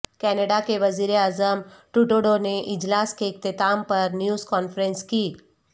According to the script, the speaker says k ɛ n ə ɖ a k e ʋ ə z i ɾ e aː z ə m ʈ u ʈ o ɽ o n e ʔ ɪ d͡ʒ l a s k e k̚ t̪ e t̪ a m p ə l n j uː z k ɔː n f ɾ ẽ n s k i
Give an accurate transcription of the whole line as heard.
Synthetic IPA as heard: k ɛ n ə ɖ a k e ʋ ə z i ɾ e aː z ə m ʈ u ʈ o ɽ o n e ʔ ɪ d͡ʒ l a s k e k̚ t̪ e t̪ a m p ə ɾ n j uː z k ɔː n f ɾ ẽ n s k i